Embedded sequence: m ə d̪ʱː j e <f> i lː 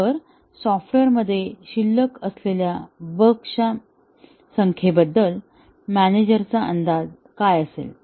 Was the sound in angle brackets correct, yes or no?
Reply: no